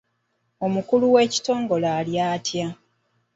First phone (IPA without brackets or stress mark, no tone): o̞